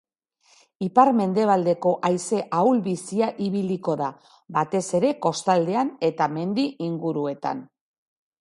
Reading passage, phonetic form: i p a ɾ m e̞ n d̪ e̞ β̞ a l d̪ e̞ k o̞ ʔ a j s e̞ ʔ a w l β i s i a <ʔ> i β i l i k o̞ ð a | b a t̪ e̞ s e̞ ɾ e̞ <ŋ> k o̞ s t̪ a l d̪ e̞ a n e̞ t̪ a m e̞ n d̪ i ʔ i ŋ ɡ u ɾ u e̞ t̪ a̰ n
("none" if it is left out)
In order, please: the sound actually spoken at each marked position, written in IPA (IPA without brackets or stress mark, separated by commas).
ʔ, none